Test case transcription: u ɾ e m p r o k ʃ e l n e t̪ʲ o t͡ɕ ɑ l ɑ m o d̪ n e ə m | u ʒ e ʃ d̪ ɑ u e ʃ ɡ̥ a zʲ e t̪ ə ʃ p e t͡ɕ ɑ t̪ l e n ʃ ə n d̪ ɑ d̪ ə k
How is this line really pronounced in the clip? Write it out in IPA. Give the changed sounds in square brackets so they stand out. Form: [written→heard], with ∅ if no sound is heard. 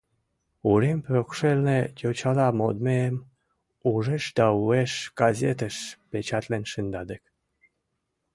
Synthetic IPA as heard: u ɾ e m p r o k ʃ e l n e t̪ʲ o t͡ɕ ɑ l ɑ m o d̪ [n→m] e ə m | u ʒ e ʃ d̪ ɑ u e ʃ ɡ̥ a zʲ e t̪ ə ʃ p e t͡ɕ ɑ t̪ l e n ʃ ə n d̪ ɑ d̪ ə k